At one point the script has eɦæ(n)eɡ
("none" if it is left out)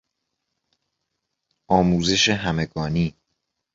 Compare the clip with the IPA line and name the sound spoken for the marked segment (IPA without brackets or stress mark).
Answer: m